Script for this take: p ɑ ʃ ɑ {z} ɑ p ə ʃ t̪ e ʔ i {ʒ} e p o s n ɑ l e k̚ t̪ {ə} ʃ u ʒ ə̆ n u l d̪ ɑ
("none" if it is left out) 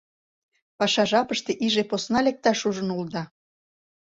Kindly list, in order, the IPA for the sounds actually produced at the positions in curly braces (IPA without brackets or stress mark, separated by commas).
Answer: ʒ, ʒ, ɑ